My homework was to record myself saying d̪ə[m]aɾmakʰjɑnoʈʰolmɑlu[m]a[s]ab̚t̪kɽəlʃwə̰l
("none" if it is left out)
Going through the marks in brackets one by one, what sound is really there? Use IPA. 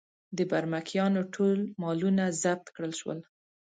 b, n, z

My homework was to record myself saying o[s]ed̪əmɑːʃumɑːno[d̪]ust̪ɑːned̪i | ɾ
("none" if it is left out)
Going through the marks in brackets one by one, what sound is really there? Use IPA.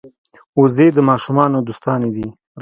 z, d̪

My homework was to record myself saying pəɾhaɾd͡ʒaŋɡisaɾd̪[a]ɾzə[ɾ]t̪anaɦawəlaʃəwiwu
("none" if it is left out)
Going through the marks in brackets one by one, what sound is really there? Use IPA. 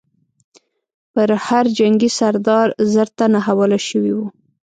ɑ, ɾ

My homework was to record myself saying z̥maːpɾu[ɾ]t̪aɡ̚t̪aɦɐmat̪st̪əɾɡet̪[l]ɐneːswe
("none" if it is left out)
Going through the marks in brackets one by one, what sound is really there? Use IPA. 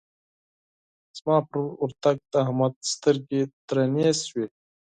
ɾ, ɾ

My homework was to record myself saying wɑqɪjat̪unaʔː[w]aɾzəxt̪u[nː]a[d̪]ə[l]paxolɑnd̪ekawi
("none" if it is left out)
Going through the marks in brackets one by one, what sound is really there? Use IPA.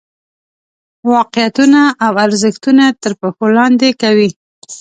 w, n, t̪, ɾ

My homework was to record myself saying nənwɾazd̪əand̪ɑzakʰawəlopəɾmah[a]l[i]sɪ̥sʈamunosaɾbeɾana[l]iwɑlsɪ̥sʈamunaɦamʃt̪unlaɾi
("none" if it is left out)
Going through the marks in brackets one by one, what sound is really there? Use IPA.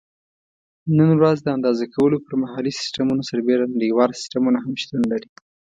ɑ, i, ɽ

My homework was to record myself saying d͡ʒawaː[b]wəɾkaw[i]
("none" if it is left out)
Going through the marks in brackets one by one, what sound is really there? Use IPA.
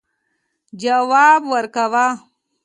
b, a

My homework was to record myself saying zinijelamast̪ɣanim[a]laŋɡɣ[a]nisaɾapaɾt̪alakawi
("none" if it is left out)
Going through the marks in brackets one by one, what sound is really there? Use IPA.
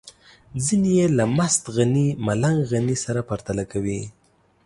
a, a

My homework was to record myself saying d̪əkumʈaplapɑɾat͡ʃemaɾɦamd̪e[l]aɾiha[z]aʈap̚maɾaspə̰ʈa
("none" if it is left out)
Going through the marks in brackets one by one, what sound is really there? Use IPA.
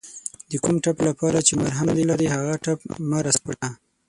l, ɣ

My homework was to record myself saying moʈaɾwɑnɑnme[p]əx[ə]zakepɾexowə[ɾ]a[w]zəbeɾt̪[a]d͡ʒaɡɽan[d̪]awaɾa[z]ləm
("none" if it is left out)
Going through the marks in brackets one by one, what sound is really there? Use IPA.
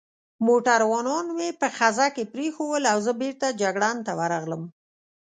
p, a, l, w, a, t̪, ɣ

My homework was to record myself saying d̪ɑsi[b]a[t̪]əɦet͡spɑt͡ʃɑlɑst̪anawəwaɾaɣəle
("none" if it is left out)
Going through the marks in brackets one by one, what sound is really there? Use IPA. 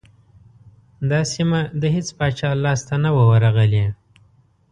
m, d̪

